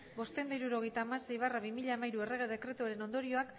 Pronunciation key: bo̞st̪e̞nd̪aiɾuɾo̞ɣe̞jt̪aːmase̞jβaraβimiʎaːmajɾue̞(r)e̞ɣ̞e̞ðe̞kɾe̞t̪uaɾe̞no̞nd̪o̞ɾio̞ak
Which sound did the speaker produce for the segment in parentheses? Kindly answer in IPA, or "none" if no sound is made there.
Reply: r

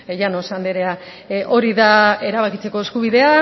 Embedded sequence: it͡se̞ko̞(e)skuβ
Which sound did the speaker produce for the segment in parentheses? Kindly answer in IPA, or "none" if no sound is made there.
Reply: e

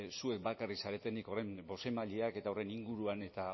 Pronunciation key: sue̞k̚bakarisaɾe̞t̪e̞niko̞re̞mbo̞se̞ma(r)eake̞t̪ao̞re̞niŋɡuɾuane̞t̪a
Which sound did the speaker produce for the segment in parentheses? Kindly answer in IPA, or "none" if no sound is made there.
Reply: ʎ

